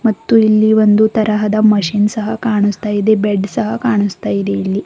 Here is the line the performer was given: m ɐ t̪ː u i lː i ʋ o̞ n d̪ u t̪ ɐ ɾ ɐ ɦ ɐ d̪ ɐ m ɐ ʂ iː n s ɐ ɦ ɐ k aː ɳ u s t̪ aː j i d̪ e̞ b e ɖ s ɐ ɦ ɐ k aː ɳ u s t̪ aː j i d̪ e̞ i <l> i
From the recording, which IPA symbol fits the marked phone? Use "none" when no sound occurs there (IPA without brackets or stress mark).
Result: lː